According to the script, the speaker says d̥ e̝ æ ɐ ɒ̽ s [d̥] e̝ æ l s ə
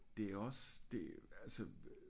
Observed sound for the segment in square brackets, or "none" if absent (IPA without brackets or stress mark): d̥